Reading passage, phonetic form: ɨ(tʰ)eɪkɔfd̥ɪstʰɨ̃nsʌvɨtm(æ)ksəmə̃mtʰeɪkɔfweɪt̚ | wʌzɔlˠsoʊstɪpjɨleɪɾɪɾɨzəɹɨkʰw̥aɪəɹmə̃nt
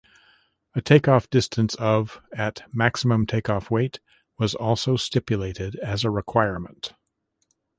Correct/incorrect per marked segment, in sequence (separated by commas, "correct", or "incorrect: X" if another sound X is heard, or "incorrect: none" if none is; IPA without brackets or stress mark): correct, correct